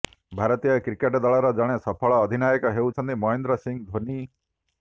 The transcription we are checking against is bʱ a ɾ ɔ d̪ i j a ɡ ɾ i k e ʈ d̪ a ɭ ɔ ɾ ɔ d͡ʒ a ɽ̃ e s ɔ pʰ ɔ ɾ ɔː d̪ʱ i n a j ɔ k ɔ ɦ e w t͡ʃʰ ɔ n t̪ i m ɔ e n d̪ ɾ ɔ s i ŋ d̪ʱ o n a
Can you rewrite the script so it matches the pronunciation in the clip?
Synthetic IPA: bʱ a ɾ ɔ t̪ i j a k ɾ i k e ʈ d̪ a ɭ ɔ ɾ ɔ d͡ʒ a ɽ̃ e s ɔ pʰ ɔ ɭ ɔː d̪ʱ i n a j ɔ k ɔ ɦ e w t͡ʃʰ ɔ n t̪ i m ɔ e n d̪ ɾ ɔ s i ŋ d̪ʱ o n i